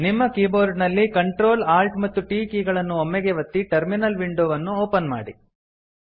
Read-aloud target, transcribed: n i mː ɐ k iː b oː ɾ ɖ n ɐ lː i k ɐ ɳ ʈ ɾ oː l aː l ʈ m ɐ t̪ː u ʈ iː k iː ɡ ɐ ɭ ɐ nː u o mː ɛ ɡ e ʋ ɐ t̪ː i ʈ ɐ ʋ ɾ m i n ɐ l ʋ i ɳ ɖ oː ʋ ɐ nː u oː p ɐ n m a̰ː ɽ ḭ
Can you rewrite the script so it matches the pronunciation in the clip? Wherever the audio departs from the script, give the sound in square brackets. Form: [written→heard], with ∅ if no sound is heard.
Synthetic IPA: n i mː ɐ k iː b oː ɾ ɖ n ɐ lː i k ɐ ɳ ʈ ɾ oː l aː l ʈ m ɐ t̪ː u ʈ iː k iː ɡ ɐ ɭ ɐ nː u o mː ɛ ɡ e ʋ ɐ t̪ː i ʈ ɐ [ʋ→∅] ɾ m i n ɐ l ʋ i ɳ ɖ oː ʋ ɐ nː u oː p ɐ n m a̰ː ɽ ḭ